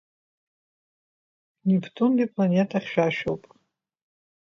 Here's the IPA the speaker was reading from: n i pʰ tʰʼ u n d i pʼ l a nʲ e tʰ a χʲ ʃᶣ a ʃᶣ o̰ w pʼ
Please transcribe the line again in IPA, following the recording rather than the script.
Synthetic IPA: n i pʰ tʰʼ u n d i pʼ l a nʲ e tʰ a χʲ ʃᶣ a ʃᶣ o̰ w pʼ